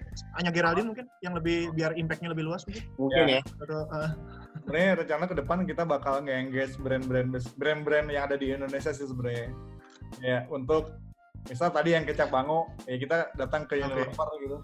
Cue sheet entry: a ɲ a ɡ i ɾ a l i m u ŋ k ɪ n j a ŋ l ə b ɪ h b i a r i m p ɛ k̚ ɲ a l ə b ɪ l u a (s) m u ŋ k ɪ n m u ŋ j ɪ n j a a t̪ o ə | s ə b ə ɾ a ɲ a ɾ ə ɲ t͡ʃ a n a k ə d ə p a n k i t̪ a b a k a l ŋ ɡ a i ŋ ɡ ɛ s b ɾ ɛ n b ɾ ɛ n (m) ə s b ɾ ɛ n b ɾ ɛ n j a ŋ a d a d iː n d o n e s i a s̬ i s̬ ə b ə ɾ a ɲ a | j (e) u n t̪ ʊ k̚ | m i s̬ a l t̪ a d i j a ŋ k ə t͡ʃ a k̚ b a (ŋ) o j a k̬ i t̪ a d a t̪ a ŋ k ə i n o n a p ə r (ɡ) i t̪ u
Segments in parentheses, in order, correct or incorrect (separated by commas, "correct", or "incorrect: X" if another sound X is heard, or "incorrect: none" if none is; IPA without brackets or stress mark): correct, incorrect: b, incorrect: a, correct, correct